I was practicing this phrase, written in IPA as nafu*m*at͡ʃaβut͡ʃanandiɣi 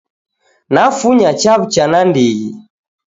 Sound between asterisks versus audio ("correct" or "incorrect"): incorrect